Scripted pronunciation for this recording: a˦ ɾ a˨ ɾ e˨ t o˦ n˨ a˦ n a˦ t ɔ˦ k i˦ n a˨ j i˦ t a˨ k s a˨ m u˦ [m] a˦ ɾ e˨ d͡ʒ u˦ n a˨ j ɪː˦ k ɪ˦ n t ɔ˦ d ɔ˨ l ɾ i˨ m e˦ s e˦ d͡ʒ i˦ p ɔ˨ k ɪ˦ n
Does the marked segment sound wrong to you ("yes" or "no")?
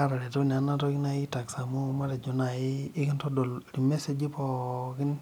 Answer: no